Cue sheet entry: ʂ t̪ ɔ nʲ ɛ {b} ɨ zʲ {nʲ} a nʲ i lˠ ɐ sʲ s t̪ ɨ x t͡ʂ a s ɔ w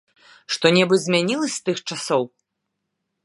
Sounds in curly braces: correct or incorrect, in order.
correct, incorrect

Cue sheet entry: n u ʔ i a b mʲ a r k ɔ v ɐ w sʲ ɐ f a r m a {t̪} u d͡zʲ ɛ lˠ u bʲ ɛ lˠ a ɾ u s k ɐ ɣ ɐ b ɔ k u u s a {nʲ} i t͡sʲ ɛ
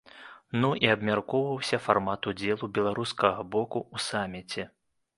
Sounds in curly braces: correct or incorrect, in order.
correct, incorrect

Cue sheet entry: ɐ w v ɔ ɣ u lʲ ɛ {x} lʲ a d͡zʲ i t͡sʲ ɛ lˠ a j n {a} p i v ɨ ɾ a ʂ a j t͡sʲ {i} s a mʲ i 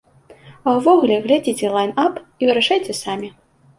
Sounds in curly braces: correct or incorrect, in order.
incorrect, correct, incorrect

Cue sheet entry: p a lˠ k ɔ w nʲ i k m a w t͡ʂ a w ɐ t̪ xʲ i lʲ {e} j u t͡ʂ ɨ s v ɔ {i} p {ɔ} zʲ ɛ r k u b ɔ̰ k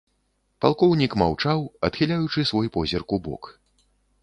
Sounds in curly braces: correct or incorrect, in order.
incorrect, incorrect, correct

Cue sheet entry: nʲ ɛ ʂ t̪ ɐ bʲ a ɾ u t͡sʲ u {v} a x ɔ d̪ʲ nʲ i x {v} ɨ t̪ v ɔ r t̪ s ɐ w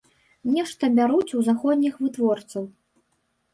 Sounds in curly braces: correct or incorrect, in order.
incorrect, correct

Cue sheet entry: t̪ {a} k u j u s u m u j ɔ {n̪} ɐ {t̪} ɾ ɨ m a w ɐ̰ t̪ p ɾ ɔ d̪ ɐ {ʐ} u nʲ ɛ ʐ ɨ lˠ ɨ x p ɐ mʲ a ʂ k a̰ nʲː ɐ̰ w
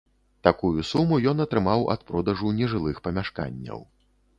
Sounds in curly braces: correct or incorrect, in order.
correct, correct, correct, correct

